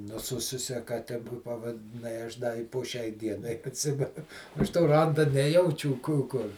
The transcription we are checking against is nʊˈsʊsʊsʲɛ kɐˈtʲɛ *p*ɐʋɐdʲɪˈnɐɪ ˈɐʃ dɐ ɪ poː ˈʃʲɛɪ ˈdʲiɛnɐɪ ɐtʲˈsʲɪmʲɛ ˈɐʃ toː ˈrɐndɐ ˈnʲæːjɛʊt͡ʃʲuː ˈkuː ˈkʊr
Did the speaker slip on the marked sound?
no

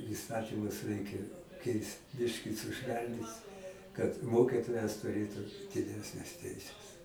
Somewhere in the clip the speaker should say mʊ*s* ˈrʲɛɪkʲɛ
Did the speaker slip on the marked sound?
no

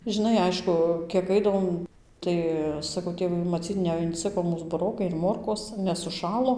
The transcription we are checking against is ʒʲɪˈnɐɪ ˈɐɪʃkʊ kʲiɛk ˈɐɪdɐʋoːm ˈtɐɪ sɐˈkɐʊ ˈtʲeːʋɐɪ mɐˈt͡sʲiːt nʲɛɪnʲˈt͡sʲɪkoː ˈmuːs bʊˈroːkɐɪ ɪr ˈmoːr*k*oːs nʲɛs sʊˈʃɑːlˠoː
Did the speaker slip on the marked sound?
no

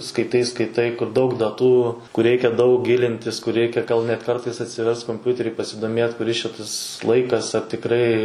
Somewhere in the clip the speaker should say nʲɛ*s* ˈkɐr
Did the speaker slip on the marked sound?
yes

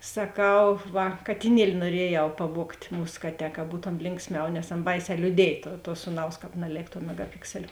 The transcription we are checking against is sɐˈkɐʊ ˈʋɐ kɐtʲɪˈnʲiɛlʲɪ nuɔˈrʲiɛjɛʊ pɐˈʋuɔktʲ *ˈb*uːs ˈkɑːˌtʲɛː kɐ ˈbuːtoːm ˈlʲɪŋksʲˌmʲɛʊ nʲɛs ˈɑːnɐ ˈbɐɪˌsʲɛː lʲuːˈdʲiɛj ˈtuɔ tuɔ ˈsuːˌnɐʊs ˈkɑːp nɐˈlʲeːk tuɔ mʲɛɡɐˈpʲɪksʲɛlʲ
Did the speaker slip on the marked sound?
yes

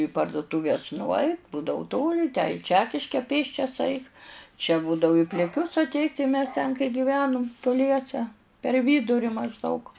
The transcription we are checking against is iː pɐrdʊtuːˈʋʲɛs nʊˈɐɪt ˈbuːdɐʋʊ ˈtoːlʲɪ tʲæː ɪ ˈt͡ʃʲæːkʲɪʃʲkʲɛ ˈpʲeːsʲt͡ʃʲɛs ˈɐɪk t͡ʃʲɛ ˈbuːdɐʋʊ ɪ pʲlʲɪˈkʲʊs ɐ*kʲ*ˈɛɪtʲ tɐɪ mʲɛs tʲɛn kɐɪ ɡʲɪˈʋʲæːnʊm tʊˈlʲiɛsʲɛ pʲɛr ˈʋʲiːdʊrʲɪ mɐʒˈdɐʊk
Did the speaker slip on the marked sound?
yes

